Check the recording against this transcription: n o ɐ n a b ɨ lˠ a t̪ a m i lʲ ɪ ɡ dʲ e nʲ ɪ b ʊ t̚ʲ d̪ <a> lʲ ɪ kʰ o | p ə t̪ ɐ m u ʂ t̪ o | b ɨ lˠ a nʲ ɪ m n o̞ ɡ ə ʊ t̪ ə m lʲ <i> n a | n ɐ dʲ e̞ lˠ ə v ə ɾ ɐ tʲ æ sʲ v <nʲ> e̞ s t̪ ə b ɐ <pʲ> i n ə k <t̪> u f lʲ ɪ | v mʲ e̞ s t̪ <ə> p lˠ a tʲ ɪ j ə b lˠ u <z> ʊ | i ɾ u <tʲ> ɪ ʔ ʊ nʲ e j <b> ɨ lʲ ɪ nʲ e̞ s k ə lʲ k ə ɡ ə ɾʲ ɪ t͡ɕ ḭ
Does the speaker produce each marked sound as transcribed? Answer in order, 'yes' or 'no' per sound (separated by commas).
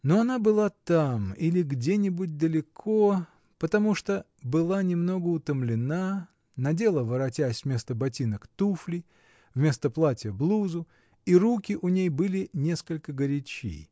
no, no, no, no, yes, yes, yes, no, yes